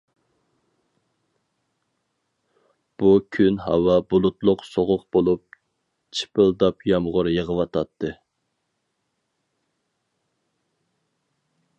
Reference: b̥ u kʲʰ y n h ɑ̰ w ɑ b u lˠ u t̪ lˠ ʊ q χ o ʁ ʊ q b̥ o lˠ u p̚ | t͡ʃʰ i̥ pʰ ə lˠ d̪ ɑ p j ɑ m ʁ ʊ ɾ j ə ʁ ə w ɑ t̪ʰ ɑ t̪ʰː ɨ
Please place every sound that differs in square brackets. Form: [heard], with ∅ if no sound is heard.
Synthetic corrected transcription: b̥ u kʲʰ y n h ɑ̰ w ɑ b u lˠ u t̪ lˠ ʊ q [s] o ʁ ʊ q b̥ o lˠ u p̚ | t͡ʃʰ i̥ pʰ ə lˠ d̪ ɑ p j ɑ m ʁ ʊ ɾ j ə ʁ ə w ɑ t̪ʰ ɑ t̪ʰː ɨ